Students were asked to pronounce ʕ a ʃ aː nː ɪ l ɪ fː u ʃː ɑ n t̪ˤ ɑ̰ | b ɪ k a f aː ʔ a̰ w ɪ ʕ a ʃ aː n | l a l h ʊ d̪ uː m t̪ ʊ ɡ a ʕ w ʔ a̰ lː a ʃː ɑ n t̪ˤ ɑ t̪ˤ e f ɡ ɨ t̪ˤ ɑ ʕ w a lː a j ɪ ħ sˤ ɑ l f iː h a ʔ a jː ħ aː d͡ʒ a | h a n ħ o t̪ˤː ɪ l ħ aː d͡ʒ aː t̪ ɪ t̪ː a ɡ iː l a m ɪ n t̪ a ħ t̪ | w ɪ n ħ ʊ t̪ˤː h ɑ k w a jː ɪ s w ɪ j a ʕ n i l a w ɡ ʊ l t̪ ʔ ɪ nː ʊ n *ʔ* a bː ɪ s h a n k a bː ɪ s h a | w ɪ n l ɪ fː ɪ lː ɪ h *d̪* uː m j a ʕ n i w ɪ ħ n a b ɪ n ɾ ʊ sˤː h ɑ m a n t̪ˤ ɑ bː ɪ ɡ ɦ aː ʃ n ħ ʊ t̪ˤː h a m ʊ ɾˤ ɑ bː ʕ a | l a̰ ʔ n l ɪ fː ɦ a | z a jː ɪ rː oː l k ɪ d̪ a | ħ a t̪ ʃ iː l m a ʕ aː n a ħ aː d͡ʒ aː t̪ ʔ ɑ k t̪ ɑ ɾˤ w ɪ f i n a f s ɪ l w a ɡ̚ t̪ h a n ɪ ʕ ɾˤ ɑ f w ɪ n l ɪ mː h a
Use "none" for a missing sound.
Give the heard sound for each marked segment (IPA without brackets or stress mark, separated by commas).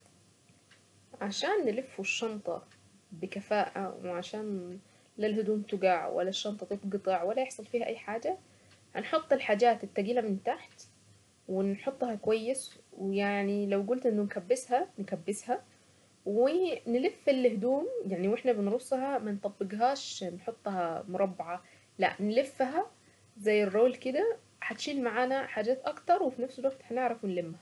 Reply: k, d̪